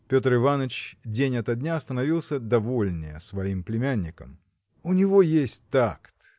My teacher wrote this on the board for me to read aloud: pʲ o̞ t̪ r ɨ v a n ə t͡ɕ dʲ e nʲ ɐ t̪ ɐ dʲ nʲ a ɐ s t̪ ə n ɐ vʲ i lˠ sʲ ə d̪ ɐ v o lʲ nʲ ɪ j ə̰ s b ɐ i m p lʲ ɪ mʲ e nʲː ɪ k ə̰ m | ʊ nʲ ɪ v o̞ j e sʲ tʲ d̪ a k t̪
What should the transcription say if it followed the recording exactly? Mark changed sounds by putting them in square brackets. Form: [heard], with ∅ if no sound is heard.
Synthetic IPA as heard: pʲ o̞ t̪ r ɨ v a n ə t͡ɕ dʲ e nʲ ɐ t̪ ɐ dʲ nʲ a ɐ s t̪ ə n ɐ vʲ i lˠ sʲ ə d̪ ɐ v o lʲ nʲ ɪ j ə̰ s [v] ɐ i m p lʲ ɪ mʲ [æ] nʲː ɪ k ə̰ m | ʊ nʲ ɪ v o̞ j e sʲ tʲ [t̪] a k t̪